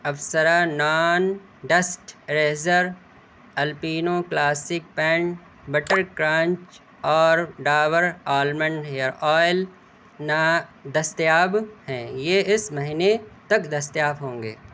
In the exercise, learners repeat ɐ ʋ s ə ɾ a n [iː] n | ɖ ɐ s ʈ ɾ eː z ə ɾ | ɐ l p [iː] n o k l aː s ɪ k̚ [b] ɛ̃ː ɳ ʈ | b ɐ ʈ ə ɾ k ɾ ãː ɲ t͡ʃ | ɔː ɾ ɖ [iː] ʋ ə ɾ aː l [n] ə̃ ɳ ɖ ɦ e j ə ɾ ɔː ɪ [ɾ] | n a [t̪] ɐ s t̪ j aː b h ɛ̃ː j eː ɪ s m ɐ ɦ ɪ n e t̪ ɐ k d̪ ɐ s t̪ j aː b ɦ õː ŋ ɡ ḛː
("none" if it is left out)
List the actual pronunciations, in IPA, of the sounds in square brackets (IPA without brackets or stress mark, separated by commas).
aː, iː, p, aː, m, l, d̪